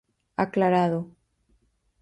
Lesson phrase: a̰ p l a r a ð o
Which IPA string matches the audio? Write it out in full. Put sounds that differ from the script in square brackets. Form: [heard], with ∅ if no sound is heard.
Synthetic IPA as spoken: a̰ [k] l a [ɾ] a ð o